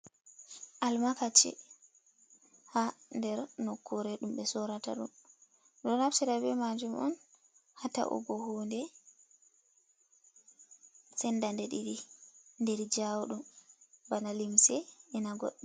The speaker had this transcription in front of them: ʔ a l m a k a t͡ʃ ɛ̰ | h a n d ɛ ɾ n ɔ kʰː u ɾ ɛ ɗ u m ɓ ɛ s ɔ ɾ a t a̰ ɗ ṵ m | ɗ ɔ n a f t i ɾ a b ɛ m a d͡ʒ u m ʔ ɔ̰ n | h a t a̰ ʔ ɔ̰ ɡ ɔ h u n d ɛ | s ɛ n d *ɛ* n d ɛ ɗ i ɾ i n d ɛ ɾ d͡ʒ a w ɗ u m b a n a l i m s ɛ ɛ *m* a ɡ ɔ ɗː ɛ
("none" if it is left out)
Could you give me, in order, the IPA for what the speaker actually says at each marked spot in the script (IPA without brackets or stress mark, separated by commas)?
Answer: a, n